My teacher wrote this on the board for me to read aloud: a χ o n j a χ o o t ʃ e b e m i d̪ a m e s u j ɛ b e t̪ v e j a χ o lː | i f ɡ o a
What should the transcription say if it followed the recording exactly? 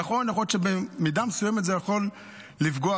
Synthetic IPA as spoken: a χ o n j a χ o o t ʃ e b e m i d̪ a m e s u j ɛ m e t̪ z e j a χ o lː | i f ɡ o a